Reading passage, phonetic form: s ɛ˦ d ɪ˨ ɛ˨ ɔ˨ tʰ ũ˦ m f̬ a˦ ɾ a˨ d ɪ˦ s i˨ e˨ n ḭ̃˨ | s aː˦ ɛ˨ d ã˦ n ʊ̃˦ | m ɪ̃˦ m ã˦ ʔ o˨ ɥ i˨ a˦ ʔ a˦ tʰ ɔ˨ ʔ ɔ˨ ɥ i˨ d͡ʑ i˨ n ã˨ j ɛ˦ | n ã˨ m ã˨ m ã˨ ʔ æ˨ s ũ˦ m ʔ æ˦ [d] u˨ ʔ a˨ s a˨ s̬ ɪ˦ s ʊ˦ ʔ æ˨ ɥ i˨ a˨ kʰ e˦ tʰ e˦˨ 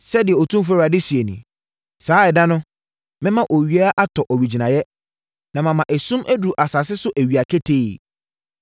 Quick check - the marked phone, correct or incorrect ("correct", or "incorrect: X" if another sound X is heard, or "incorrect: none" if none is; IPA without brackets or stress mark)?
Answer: correct